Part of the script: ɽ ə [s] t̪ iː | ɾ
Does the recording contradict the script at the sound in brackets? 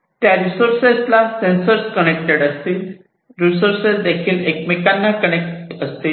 no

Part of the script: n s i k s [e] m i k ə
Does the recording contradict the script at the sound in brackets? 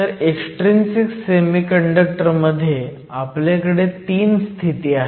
no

